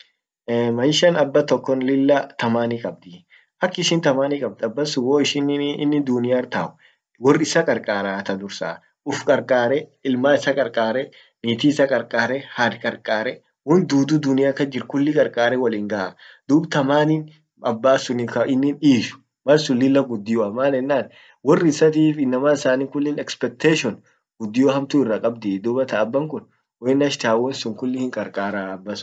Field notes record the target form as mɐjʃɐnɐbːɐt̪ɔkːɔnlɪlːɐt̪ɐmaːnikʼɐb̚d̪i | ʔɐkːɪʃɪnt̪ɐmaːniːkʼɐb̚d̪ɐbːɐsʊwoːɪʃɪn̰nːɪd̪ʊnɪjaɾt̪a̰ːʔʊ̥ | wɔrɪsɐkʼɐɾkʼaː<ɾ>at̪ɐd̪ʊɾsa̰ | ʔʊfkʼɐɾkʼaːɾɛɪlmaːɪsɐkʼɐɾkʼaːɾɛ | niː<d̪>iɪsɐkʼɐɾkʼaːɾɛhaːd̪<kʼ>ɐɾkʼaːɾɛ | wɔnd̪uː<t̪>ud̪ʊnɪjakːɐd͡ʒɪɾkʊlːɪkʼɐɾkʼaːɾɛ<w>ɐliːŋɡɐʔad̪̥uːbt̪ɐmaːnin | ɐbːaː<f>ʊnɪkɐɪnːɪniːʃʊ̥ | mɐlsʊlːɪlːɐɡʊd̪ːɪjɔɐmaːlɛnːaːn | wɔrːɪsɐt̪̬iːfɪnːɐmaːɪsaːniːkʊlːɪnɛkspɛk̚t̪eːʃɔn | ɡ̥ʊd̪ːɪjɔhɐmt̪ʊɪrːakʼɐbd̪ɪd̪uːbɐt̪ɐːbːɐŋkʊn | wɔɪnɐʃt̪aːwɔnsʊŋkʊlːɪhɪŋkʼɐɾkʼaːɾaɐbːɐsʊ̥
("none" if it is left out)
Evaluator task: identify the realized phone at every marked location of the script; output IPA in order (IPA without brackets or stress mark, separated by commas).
ɾ, t̪, kʼ, d̪, w, s